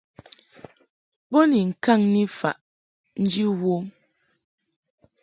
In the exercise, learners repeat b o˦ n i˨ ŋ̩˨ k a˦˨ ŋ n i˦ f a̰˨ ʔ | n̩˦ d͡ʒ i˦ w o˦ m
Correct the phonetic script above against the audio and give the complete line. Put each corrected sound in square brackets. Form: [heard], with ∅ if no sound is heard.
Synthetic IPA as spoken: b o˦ n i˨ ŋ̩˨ k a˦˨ ŋ n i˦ f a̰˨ ʔ | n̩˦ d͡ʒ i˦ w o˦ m